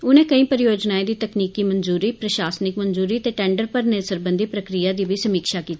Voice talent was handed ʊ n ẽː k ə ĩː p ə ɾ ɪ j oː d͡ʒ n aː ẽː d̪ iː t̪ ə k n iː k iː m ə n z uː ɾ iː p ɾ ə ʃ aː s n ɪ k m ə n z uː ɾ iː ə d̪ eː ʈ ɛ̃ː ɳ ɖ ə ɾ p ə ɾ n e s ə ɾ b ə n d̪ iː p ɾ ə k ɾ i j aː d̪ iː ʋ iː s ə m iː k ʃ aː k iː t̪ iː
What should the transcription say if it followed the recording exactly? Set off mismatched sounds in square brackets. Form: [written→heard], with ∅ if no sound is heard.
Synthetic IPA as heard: ʊ n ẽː k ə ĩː p ə ɾ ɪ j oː d͡ʒ n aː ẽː d̪ iː t̪ ə k n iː k iː m ə n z uː ɾ iː p ɾ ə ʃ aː s n ɪ k m ə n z uː ɾ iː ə [d̪→t̪] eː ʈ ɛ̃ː ɳ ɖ ə ɾ p ə ɾ n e s ə ɾ b ə n d̪ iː p ɾ ə k ɾ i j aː d̪ iː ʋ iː s ə m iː k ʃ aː k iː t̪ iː